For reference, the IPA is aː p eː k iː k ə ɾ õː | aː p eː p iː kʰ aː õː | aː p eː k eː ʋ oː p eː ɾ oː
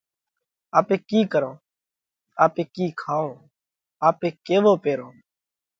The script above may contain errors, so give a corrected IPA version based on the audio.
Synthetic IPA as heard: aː p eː k iː k ə ɾ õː | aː p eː k iː kʰ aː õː | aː p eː k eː ʋ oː p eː ɾ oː